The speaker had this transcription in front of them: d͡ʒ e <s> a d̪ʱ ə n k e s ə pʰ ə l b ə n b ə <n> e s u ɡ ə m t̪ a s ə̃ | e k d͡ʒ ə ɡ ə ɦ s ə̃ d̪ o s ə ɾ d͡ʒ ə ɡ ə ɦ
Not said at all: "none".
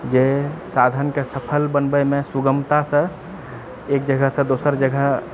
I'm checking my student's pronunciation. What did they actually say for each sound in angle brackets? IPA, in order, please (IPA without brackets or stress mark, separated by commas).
s, m